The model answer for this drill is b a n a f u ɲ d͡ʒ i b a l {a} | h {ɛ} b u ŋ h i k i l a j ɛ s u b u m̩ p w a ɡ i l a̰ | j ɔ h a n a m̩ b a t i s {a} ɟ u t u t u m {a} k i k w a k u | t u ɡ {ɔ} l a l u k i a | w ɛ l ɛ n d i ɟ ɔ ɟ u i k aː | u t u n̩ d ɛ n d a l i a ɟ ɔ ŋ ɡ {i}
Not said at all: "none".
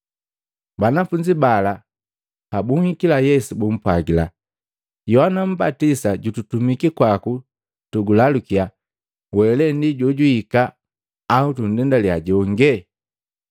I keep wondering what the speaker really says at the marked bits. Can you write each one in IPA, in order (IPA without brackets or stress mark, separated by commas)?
a, a, a, i, u, ɛ